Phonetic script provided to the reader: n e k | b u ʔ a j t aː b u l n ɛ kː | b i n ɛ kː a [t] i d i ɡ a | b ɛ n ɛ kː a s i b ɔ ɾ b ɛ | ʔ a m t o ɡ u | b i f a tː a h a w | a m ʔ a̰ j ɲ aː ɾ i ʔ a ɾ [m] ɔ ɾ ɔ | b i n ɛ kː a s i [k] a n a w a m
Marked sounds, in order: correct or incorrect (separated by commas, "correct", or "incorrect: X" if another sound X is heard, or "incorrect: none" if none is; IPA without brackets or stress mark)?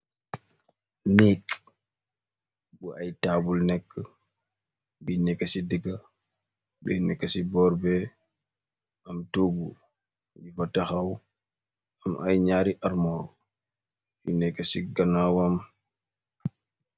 incorrect: s, correct, incorrect: ɡ